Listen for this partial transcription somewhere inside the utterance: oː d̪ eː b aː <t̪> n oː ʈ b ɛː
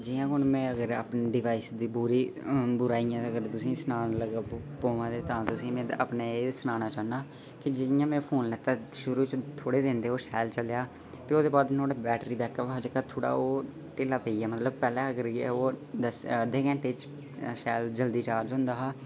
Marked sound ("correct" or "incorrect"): incorrect